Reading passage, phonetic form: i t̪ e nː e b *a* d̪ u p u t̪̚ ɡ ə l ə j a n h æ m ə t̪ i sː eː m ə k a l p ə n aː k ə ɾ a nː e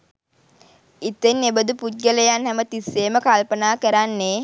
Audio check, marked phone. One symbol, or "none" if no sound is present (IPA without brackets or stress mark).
ə